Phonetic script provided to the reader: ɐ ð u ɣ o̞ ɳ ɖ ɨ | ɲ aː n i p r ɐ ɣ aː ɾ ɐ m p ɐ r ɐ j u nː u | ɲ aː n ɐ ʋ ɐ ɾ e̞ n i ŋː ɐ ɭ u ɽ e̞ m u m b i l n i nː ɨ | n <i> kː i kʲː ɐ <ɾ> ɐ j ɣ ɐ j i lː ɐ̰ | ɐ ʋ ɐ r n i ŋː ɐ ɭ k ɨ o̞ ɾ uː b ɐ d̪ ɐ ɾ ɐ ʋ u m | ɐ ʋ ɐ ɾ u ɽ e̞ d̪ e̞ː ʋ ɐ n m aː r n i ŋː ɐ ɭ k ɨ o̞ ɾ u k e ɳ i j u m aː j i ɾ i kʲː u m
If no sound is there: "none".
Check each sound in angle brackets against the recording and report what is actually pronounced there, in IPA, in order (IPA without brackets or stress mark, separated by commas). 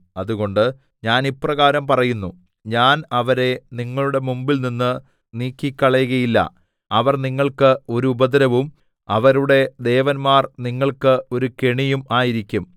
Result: iː, ɭ